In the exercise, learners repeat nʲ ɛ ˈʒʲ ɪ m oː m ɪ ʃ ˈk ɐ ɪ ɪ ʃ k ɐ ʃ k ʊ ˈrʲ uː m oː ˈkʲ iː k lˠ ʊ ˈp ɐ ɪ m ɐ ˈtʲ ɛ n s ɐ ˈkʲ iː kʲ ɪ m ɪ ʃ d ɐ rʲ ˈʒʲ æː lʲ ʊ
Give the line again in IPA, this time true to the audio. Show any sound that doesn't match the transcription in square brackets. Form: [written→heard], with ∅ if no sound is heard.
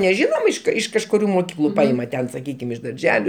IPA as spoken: nʲ ɛ ˈʒʲ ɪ [m→n] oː m ɪ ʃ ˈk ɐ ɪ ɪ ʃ k ɐ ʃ k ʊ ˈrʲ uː m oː ˈkʲ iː k lˠ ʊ ˈp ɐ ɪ m ɐ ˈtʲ ɛ n s ɐ ˈkʲ iː kʲ ɪ m ɪ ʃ d ɐ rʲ ˈʒʲ æː lʲ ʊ